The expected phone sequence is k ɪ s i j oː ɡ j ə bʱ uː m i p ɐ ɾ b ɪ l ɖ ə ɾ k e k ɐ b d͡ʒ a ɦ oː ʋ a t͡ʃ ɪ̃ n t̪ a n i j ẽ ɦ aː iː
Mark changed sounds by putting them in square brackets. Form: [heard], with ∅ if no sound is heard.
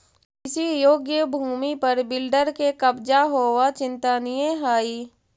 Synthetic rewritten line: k ɪ s i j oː ɡ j ə bʱ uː m i p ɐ ɾ b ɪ l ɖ ə ɾ k e k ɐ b d͡ʒ a ɦ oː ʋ a t͡ʃ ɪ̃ n t̪ a n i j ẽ ɦ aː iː